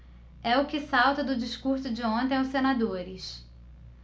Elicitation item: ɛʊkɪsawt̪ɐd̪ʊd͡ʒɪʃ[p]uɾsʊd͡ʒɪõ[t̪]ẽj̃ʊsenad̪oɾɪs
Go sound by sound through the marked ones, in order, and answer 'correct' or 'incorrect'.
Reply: incorrect: k, correct

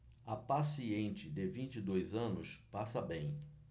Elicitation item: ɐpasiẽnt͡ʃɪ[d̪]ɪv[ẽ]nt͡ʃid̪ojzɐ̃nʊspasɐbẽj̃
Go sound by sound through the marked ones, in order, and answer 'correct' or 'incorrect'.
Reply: correct, incorrect: ĩ

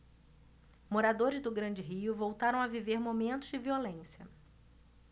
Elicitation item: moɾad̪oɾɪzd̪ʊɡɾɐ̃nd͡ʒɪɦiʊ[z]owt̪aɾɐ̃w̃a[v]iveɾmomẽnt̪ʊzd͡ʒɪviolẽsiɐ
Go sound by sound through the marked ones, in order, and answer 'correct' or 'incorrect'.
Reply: incorrect: v, correct

